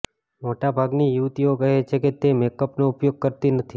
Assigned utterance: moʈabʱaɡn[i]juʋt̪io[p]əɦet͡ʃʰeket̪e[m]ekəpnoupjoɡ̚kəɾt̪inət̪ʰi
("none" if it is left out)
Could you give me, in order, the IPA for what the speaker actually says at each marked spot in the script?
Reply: i, k, m

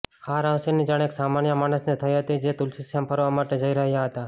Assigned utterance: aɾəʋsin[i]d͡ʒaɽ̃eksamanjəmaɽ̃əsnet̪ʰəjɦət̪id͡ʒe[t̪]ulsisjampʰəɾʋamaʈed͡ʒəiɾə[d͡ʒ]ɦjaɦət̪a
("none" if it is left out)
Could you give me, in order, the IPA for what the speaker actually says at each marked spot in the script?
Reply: i, t̪, none

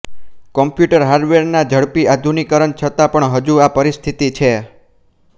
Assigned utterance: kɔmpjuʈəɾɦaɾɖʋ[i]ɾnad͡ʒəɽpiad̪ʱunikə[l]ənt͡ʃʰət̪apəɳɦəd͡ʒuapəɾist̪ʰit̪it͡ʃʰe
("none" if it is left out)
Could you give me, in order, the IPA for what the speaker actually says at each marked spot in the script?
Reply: e, ɾ

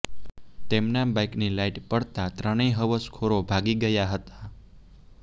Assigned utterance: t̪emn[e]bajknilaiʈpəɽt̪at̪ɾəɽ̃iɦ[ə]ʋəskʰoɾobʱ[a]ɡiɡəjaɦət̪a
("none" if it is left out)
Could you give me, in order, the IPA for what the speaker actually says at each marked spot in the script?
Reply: a, ə, a

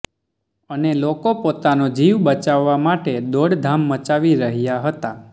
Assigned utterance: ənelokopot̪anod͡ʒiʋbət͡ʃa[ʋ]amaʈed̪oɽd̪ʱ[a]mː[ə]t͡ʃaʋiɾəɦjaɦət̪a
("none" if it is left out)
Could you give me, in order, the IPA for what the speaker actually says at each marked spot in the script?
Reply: ʋː, a, ə

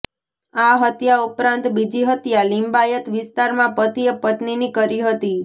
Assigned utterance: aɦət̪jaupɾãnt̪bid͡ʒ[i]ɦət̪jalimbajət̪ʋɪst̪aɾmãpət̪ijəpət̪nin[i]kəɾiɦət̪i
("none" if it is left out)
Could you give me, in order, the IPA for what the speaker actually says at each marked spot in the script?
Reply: i, i

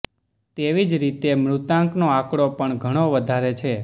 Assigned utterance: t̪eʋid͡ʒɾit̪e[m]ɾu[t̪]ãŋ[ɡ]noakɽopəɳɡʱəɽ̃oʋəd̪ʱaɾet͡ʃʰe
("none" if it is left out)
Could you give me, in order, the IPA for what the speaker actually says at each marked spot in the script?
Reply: m, t̪, k

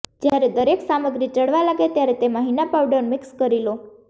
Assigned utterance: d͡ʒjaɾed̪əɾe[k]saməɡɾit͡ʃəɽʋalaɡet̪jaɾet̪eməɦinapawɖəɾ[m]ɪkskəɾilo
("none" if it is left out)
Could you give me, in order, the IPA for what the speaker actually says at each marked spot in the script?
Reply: k, m

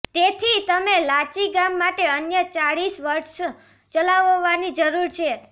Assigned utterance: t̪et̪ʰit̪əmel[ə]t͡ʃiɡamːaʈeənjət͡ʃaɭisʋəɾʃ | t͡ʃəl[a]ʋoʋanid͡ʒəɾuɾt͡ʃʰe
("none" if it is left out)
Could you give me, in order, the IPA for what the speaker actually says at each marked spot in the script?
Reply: a, a

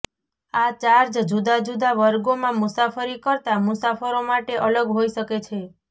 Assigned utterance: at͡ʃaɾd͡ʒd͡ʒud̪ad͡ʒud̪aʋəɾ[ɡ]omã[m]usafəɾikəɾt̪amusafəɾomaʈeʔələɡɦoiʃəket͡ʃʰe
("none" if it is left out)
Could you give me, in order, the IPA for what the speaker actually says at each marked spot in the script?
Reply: ɡ, m

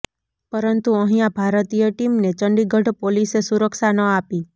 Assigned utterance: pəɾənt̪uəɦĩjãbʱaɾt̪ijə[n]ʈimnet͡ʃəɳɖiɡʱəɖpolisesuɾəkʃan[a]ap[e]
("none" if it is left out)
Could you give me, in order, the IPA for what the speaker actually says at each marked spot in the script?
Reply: none, ə, i

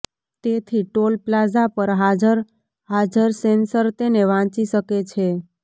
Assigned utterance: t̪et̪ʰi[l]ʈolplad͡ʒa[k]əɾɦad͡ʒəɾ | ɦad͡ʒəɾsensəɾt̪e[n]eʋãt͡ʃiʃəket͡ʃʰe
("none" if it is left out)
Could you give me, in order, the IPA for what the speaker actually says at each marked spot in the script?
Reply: none, p, n

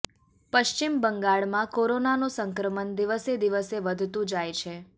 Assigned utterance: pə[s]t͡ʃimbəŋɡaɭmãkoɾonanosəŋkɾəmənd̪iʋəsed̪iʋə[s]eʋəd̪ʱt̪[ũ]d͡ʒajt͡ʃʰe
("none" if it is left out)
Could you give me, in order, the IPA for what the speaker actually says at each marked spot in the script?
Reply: ʃ, s, ũ

